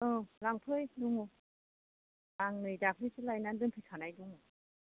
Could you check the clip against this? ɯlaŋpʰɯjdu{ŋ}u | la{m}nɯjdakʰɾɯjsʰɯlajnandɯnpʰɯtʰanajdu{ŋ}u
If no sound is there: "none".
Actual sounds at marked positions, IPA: ŋ, ŋ, ŋ

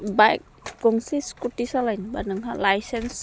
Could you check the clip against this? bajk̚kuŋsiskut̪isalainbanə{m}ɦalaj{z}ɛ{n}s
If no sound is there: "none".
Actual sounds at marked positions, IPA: ŋ, s, n

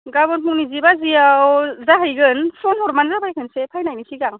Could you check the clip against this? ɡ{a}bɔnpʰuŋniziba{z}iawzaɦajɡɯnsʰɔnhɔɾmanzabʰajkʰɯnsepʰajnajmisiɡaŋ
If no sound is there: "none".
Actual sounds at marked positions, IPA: a, z

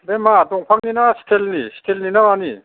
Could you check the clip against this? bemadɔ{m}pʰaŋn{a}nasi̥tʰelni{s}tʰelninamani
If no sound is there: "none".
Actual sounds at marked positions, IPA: ŋ, i, s

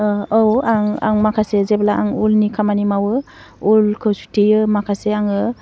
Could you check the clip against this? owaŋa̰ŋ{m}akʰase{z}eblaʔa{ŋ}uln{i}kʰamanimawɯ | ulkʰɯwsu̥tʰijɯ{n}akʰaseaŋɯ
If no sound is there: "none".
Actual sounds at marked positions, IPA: m, z, ŋ, i, m

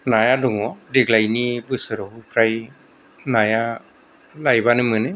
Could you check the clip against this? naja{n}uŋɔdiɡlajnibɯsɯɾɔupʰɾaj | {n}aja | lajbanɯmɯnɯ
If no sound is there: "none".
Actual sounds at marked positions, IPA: d, n

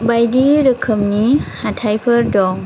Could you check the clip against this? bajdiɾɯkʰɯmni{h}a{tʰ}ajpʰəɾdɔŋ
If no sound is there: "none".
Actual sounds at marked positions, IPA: h, tʰ

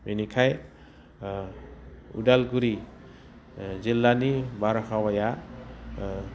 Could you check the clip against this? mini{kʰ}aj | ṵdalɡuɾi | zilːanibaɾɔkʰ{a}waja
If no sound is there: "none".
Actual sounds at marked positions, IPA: kʰ, a

